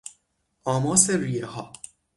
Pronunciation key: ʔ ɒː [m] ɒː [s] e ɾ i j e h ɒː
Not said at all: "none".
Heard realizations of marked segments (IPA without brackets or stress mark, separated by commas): m, s